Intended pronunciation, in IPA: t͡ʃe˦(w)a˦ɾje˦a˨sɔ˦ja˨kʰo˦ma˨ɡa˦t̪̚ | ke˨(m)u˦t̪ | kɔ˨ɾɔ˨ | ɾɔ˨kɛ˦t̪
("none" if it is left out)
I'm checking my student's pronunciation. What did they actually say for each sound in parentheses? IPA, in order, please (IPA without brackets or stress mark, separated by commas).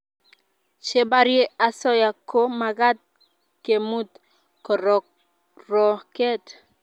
b, m